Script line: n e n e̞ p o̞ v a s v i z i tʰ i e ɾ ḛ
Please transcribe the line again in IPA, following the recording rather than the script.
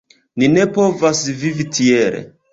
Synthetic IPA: n i n e̞ p o̞ v a s v i v i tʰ i e ɾ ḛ